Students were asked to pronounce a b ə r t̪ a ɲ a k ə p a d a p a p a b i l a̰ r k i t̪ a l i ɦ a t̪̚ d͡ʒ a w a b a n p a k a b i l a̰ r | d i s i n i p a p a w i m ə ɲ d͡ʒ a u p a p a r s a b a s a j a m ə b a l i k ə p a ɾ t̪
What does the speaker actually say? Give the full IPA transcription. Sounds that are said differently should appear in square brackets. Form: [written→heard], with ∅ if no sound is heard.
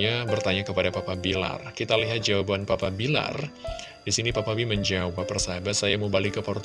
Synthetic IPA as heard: a b ə r t̪ a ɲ a k ə p a d a p a p a b i l a̰ r k i t̪ a l i ɦ a t̪̚ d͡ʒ a w a b a n p a [k→p] a b i l a̰ r | d i s i n i p a p a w i m ə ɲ d͡ʒ a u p a p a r s a b a s a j a m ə b a l i k ə p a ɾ t̪